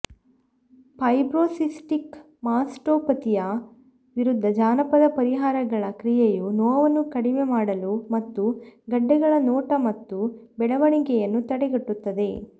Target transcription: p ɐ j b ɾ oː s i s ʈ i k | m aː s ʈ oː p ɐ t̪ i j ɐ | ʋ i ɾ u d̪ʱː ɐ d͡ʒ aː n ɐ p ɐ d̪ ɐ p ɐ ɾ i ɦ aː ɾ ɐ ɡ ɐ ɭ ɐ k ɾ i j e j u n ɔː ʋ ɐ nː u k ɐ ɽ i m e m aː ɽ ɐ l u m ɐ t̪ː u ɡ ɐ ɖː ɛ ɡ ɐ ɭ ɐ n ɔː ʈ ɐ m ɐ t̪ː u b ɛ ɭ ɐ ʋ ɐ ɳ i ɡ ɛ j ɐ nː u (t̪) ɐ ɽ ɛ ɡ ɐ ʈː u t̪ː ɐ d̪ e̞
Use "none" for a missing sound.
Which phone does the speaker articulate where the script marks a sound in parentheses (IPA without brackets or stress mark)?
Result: t̪